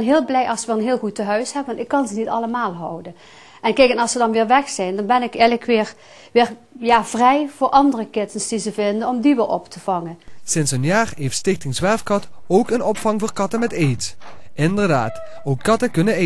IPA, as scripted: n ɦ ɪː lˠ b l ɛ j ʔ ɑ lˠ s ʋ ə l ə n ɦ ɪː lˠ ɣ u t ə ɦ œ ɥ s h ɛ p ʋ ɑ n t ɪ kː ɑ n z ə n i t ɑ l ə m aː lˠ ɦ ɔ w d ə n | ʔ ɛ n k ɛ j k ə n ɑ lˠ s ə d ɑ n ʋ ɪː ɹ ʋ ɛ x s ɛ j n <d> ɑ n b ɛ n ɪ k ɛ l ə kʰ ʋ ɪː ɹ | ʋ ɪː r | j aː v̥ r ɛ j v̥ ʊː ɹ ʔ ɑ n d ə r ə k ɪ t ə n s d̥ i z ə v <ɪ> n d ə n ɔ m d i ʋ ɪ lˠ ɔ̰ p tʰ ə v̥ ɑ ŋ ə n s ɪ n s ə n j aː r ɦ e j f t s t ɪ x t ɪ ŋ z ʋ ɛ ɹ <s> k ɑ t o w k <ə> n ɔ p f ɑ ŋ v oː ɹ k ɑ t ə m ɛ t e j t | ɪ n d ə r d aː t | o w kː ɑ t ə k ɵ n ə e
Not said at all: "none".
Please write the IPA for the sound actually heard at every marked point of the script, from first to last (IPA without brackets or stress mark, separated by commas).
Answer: d, ɪ, f, ə